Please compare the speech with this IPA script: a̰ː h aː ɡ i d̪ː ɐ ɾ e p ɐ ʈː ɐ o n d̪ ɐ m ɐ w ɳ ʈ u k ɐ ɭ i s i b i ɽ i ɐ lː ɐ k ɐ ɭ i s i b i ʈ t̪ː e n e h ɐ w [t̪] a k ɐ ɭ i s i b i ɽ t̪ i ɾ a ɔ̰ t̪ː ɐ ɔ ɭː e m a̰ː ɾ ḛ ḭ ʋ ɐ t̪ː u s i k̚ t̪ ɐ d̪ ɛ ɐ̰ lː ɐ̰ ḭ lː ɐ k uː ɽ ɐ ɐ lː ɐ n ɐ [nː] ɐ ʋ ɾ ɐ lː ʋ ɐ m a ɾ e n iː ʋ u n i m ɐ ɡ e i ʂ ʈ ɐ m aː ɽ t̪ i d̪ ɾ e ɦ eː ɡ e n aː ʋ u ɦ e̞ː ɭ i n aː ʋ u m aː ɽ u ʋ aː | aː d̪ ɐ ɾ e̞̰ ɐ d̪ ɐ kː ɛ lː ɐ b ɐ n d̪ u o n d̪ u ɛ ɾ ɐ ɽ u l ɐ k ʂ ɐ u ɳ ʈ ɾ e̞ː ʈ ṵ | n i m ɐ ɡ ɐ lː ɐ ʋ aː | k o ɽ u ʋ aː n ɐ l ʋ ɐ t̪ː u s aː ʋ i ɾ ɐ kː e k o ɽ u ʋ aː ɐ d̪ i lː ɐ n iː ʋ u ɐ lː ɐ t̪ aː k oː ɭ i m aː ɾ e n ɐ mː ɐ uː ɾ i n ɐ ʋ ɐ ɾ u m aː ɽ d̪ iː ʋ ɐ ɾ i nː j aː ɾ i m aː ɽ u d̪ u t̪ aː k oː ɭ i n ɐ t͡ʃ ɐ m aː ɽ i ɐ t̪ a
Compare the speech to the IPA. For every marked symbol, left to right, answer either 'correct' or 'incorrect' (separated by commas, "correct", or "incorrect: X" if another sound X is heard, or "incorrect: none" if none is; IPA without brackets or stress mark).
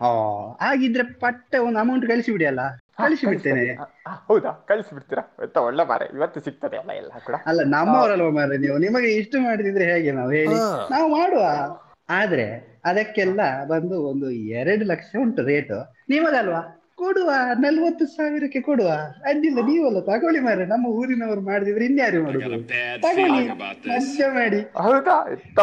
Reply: incorrect: d̪, incorrect: mː